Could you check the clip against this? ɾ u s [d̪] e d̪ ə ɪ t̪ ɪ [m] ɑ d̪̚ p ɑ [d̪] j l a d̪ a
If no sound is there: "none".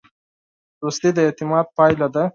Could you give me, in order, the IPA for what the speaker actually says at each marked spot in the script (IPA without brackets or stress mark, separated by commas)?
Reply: t̪, m, none